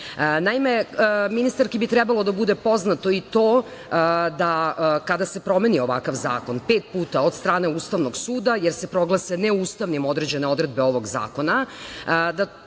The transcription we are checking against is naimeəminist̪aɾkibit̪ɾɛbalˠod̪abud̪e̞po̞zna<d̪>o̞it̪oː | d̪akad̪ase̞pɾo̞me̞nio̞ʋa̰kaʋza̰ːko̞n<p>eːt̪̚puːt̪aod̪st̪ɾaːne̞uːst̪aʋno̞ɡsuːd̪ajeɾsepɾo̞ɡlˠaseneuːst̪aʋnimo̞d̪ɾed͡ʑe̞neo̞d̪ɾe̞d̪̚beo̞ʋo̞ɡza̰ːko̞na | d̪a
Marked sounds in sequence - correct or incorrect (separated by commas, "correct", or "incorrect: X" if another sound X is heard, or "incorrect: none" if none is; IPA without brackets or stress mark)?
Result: incorrect: t̪, correct